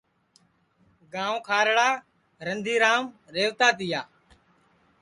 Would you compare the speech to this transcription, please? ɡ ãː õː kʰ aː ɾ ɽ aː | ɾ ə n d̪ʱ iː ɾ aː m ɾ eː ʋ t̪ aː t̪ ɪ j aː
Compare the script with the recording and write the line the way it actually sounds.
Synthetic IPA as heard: ɡ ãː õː kʰ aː ɾ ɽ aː | ɾ ə n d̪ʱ iː ɾ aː m ɾ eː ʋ t̪ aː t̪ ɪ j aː